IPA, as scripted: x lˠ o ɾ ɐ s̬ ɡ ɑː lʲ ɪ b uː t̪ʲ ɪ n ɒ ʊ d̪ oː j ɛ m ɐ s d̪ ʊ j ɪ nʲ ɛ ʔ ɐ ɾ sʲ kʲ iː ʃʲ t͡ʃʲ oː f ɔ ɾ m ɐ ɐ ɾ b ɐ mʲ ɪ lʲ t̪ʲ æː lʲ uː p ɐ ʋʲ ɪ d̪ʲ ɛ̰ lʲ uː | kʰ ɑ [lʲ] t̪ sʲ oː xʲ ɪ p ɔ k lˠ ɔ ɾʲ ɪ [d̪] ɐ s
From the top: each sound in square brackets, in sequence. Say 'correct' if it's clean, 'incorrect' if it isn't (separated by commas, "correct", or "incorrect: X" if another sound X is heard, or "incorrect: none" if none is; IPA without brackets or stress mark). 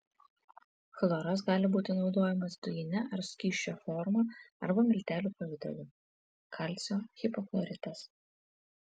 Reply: correct, incorrect: t̪